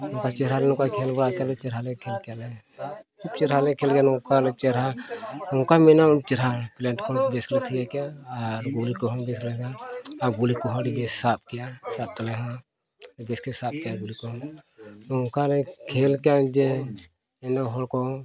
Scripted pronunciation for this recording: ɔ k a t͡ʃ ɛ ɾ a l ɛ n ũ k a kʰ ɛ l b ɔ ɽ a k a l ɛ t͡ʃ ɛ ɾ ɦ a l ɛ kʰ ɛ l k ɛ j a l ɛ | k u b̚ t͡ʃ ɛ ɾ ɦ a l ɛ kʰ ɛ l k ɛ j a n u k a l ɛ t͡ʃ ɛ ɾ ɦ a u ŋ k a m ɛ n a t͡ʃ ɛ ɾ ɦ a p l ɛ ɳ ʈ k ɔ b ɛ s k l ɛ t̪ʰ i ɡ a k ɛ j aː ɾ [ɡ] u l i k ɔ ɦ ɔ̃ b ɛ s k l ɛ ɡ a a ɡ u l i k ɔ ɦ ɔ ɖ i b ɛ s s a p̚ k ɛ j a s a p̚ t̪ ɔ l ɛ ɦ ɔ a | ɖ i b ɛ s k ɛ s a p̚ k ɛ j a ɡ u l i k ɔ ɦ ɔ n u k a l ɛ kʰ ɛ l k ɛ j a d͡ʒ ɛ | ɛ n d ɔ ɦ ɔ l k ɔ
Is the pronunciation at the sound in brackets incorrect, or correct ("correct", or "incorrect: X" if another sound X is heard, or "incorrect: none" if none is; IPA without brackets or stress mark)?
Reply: correct